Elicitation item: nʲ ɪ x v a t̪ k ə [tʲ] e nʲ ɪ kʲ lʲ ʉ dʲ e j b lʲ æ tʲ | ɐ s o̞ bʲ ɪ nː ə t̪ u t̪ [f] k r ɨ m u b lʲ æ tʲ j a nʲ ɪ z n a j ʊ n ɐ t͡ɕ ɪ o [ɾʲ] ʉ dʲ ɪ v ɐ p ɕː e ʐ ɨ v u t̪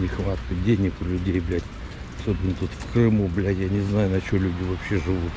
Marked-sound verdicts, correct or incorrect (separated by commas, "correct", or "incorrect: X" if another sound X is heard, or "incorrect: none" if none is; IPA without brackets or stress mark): incorrect: dʲ, correct, incorrect: lʲ